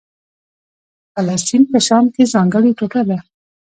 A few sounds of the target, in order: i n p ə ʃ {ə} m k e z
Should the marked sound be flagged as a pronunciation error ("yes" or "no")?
yes